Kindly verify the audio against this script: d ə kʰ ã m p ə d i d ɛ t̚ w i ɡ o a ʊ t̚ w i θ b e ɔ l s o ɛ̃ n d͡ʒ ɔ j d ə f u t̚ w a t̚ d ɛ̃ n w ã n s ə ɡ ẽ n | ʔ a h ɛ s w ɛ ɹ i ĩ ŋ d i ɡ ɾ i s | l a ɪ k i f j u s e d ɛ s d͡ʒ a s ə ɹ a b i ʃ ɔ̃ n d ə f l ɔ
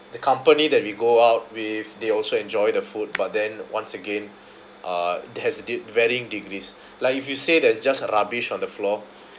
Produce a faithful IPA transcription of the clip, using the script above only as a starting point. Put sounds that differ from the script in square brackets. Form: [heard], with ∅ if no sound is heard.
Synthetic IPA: d ə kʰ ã m p ə [n] i d ɛ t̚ w i ɡ o a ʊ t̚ w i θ [d] e ɔ l s o ɛ̃ n d͡ʒ ɔ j d ə f u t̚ [b] a t̚ d ɛ̃ n w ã n s ə ɡ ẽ n | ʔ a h ɛ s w ɛ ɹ i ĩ ŋ d i ɡ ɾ i s | l a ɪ k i f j u s e d ɛ s d͡ʒ a s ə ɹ a b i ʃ ɔ̃ n d ə f l ɔ